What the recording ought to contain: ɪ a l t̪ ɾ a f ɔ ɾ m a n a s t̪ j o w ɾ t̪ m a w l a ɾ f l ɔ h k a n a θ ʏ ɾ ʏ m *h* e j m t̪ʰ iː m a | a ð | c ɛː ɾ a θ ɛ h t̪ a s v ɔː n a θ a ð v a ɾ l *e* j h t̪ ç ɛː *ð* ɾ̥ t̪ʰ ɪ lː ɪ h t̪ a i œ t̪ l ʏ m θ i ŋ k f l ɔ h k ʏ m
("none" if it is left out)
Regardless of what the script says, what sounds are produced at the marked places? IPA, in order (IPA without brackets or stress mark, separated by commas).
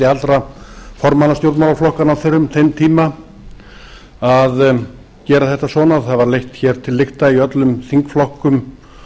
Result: θ, e, none